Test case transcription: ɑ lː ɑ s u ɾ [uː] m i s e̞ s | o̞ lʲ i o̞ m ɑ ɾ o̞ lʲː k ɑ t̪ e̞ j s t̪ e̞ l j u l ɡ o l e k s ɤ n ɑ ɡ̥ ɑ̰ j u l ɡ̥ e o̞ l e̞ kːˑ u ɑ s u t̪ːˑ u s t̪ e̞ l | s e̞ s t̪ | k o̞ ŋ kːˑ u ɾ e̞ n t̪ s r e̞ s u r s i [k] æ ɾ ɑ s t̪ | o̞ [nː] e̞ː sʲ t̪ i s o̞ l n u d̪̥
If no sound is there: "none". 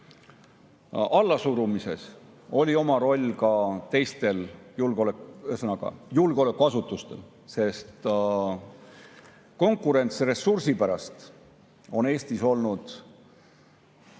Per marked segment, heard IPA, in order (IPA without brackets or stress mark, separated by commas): u, p, n